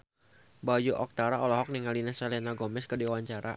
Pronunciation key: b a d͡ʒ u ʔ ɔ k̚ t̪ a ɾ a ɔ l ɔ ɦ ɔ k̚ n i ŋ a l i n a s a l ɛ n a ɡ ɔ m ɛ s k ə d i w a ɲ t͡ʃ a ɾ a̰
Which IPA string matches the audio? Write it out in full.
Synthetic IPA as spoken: b a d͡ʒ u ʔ ɔ k̚ t̪ a ɾ a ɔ l ɔ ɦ ɔ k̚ n i ŋ a l i n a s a l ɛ n a ɡ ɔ m ɛ s k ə d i w a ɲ t͡ʃ a ɾ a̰